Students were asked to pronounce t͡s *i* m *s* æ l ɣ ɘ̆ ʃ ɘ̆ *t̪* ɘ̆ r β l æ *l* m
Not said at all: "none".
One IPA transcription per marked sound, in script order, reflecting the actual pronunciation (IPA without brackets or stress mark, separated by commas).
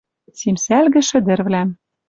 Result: i, s, d̪, none